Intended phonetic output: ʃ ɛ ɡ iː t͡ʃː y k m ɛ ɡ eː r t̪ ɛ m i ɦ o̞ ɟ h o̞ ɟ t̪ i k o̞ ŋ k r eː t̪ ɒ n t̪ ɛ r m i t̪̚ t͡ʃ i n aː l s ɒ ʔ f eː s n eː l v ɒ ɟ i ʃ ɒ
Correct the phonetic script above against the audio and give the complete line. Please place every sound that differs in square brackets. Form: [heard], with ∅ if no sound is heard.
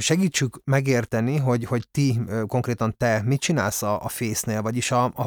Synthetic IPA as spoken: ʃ ɛ ɡ iː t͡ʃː y k m ɛ ɡ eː r t̪ ɛ [n] i ɦ o̞ ɟ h o̞ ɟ t̪ i k o̞ ŋ k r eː t̪ ɒ n t̪ ɛ [∅] m i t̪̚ t͡ʃ i n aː l s ɒ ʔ f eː s n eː l v ɒ ɟ i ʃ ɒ